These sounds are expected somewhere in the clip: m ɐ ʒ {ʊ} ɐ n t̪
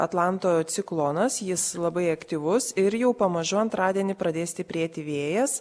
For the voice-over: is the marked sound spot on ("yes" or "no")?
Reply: yes